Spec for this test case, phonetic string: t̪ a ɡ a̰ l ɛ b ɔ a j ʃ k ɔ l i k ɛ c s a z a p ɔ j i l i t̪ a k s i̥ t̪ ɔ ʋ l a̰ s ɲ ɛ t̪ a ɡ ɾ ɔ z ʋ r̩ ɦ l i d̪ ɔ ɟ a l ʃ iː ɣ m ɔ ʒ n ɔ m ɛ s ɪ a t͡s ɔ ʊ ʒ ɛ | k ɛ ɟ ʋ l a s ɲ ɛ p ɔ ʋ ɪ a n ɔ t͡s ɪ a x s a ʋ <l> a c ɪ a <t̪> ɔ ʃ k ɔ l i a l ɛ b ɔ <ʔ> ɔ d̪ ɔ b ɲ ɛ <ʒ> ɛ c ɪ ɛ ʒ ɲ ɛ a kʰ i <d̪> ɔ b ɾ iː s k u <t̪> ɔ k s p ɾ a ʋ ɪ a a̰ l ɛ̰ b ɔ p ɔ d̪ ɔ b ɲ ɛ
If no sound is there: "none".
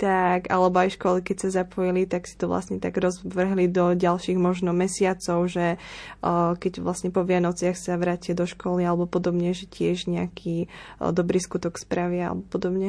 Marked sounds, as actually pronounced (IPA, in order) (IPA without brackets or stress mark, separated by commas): ɾ, d̪, p, ʒ, d̪, t̪